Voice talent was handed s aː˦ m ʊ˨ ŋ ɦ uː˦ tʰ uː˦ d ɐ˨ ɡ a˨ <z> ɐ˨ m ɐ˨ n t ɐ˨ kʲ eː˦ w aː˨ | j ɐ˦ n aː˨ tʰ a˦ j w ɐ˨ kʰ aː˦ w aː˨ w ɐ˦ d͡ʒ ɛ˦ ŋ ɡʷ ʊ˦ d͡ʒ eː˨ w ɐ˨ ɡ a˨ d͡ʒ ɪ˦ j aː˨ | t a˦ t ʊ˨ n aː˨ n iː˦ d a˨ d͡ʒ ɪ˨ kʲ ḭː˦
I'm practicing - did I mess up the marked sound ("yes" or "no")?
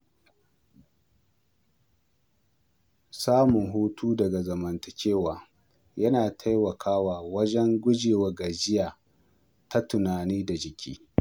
no